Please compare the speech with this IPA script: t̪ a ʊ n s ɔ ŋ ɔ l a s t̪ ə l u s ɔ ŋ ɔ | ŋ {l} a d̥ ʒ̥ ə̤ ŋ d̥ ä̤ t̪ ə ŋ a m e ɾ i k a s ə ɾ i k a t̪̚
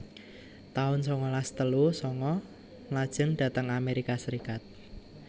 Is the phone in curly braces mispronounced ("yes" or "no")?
no